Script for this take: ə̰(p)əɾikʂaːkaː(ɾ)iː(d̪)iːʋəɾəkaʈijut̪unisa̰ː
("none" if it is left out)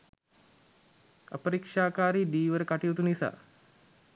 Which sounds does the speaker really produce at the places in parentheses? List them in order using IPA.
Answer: p, ɾ, d̪

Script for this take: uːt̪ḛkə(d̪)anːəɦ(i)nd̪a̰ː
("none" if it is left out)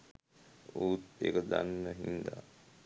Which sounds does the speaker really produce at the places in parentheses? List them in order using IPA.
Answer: d̪, i

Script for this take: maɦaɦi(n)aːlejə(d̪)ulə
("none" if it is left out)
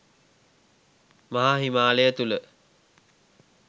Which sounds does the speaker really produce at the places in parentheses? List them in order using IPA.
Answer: m, t̪

